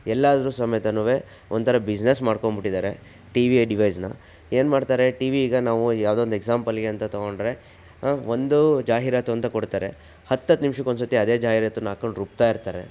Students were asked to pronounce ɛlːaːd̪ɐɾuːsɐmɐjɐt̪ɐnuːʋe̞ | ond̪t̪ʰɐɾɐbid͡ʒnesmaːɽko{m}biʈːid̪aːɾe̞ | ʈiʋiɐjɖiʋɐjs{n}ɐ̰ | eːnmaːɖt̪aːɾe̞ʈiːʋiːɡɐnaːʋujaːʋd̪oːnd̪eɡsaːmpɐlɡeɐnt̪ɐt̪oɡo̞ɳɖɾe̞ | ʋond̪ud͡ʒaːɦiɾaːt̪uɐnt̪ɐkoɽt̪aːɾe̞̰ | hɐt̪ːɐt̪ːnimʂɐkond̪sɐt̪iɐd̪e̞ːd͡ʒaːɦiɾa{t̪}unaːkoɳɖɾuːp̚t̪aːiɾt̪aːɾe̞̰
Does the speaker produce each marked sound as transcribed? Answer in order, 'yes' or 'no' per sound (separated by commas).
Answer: no, yes, yes